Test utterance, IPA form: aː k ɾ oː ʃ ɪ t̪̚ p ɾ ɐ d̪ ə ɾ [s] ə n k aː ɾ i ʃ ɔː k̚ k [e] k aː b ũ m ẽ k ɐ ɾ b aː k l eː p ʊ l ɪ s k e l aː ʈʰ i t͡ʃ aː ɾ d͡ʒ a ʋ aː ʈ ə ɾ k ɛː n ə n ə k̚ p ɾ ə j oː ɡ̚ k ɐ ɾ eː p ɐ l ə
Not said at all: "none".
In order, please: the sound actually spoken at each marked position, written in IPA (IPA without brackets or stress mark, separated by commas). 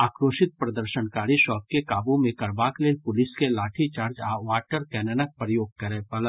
ʃ, e